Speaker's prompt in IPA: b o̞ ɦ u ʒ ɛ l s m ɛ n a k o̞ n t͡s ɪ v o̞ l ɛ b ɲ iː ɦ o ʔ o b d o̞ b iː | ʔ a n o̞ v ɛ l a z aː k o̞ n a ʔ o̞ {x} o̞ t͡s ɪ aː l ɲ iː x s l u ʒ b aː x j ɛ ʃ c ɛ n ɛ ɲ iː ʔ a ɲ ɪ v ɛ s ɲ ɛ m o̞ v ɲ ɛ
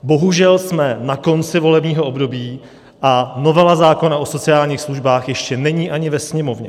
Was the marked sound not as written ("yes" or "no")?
yes